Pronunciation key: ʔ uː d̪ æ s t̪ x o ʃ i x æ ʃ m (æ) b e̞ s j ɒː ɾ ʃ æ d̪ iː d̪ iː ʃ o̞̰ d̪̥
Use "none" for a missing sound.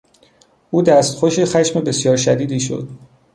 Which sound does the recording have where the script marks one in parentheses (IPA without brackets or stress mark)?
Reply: e